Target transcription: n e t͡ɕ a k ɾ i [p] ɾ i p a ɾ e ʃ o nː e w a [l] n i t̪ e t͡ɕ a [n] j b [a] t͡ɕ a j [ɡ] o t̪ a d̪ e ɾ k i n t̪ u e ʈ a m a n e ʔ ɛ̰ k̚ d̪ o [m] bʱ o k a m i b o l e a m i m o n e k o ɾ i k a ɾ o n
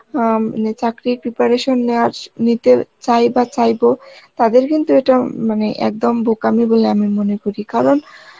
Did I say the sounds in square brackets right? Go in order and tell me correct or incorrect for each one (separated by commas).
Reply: correct, incorrect, incorrect, correct, incorrect, correct